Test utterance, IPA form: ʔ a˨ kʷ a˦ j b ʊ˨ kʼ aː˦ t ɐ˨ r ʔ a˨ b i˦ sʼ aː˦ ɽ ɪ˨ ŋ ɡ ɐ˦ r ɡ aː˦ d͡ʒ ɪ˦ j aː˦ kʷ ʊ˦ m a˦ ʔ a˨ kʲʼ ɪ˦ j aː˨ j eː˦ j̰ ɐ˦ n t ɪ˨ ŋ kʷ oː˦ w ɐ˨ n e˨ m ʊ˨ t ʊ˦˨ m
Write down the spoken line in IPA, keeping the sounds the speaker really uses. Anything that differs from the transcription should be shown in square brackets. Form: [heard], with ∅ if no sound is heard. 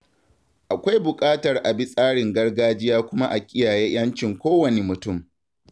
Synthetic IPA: ʔ a˨ kʷ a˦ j b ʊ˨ kʼ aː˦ t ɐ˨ r ʔ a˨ b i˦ sʼ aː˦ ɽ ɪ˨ ŋ ɡ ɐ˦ r ɡ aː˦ d͡ʒ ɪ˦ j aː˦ kʷ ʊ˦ m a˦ ʔ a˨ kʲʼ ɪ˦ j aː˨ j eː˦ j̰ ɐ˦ n [t͡ʃ] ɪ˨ ŋ kʷ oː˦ w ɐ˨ n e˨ m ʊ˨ t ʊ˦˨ m